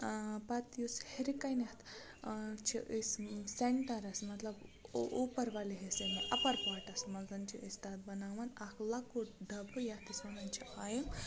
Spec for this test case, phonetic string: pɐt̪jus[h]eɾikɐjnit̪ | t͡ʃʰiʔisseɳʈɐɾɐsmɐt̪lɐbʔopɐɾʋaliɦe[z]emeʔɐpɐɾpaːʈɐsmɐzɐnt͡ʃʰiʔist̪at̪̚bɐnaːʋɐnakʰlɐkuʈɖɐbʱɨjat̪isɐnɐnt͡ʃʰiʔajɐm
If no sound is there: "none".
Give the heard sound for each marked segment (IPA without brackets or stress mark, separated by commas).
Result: h, s